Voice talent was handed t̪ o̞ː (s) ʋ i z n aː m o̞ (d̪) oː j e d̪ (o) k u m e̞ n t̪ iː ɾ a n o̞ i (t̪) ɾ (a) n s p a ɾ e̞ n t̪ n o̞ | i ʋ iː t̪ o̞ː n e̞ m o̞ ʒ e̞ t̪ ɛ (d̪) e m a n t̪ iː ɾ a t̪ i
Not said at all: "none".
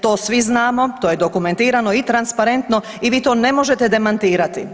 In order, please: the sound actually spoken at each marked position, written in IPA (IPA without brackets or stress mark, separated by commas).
s, t̪, o, t̪, a, d̪